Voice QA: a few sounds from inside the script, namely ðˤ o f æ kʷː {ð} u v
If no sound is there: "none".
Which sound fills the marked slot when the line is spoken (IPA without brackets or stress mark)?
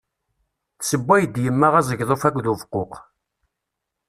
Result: ð